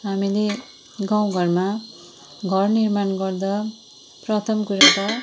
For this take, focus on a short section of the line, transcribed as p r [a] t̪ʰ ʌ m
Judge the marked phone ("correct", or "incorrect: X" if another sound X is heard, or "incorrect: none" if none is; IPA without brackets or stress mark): incorrect: ʌ